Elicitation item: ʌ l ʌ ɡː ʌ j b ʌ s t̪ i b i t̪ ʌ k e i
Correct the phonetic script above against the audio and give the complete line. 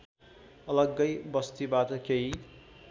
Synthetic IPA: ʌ l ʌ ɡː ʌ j b ʌ s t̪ i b a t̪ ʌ k e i